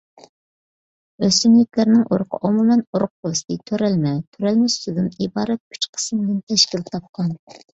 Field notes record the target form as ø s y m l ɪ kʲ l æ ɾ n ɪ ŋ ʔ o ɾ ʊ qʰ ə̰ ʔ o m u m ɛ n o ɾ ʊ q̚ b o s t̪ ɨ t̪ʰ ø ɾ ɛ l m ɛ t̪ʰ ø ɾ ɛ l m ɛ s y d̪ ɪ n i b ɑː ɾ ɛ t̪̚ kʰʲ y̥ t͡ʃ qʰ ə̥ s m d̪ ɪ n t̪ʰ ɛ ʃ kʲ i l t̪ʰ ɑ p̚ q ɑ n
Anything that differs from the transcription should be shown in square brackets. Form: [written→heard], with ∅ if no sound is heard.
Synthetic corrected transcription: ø s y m l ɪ kʲ l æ ɾ n ɪ ŋ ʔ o ɾ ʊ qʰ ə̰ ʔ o m u m ɛ n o ɾ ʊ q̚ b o s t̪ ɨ t̪ʰ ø ɾ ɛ l m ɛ t̪ʰ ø ɾ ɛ l m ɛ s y d̪ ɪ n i b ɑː ɾ ɛ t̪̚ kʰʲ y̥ t͡ʃ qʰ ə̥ s m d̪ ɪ n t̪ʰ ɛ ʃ kʲ i l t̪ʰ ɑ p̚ q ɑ n